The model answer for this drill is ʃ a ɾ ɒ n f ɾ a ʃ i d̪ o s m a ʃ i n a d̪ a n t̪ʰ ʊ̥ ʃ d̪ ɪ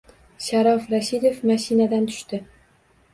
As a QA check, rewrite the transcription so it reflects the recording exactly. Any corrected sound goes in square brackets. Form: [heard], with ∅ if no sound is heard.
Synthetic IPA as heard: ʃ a ɾ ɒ [∅] f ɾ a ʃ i d̪ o [f] m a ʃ i n a d̪ a n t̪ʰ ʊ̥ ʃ [t̪] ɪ